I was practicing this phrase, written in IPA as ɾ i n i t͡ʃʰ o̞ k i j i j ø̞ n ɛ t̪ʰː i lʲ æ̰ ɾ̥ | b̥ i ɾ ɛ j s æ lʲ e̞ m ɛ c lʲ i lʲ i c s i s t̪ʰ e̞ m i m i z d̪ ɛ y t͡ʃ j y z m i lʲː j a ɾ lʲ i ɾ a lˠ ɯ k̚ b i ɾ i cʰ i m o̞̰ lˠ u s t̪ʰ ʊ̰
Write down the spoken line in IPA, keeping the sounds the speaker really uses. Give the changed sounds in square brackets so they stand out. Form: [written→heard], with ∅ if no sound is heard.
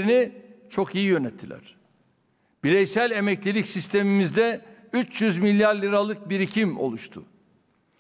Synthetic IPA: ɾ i n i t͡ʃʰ o̞ k i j i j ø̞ n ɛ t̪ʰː i lʲ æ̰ ɾ̥ | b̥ i ɾ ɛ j s æ lʲ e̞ m ɛ c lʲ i lʲ i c s i s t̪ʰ e̞ m i m i z d̪ ɛ y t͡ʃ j y z m i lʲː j a ɾ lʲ i ɾ a lˠ ɯ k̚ b i ɾ i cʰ i m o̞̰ lˠ u [s→ʃ] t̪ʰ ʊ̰